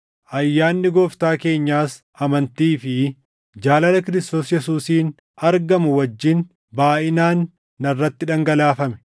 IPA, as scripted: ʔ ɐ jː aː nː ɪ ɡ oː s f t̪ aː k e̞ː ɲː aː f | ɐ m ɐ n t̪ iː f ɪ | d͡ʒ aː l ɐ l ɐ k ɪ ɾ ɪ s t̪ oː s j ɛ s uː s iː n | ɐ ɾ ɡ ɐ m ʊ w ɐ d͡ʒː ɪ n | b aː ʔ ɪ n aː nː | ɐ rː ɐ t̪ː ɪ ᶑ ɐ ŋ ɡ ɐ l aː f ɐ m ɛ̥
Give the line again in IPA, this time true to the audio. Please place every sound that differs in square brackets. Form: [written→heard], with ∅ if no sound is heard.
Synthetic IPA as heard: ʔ ɐ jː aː nː ɪ ɡ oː [s→∅] f t̪ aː k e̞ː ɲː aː [f→s] | ɐ m ɐ n t̪ iː f ɪ | d͡ʒ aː l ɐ l ɐ k ɪ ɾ ɪ s t̪ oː s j ɛ s uː s iː n | ɐ ɾ ɡ ɐ m ʊ w ɐ d͡ʒː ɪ n | b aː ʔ ɪ n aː nː | ɐ rː ɐ t̪ː ɪ ᶑ ɐ ŋ ɡ ɐ l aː f ɐ m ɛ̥